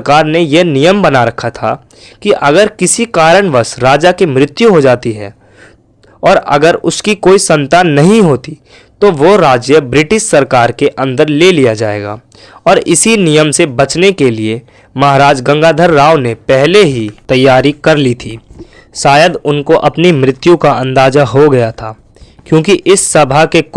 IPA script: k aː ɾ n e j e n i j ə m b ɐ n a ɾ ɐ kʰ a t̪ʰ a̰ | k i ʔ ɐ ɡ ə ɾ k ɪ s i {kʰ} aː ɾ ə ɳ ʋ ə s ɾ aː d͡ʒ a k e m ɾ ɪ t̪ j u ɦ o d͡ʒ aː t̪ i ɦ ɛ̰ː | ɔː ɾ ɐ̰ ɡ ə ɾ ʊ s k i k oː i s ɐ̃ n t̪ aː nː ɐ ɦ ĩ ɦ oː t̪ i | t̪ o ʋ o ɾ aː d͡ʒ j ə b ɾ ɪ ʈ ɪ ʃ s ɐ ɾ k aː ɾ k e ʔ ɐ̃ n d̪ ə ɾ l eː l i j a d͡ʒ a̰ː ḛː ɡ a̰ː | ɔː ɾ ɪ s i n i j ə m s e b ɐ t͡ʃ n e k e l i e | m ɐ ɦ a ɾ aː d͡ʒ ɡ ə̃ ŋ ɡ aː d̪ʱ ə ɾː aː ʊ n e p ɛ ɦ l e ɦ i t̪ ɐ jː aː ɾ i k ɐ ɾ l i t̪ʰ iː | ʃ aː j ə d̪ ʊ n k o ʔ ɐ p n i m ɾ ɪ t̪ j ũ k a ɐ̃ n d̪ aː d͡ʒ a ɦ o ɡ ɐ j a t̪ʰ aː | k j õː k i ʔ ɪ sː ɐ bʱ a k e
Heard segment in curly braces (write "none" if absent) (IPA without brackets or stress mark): k